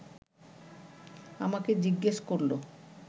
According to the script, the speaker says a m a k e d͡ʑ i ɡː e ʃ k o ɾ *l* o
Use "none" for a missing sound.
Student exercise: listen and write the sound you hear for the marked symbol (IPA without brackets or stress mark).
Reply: l